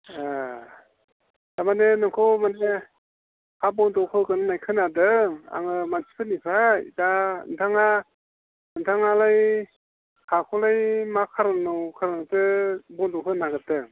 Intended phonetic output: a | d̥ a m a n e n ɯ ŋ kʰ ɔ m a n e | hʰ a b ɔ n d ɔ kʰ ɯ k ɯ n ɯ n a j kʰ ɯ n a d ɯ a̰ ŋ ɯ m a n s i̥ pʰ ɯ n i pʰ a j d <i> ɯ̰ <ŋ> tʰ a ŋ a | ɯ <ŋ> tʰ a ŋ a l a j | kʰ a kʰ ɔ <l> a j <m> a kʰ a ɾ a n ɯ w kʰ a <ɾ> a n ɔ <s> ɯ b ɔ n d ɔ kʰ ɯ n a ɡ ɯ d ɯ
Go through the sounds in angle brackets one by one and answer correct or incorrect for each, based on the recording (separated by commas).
incorrect, incorrect, incorrect, correct, correct, correct, incorrect